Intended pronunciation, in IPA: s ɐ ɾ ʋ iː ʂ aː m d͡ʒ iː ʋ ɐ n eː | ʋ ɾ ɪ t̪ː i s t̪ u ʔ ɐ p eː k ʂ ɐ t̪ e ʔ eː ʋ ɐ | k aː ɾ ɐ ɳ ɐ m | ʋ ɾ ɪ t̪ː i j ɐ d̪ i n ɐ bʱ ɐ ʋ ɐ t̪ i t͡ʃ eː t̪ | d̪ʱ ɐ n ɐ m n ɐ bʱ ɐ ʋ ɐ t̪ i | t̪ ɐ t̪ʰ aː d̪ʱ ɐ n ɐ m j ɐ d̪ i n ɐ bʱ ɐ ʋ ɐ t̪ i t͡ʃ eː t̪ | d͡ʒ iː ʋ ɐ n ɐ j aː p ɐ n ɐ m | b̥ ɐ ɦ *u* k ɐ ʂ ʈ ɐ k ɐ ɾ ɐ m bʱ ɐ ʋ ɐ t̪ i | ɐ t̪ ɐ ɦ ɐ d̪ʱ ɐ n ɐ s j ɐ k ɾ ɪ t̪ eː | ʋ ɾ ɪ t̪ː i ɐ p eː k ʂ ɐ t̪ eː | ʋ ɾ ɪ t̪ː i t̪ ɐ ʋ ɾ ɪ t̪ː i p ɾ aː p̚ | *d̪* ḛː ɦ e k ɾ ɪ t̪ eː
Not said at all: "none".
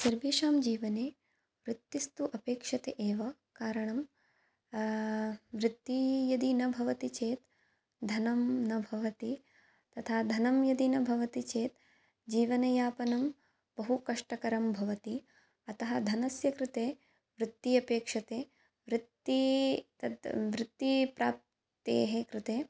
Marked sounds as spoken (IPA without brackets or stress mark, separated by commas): u, t̪